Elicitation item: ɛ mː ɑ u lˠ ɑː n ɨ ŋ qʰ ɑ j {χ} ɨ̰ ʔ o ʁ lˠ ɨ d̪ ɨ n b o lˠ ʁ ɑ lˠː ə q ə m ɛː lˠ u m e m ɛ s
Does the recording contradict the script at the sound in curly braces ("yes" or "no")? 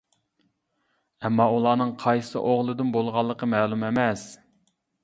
yes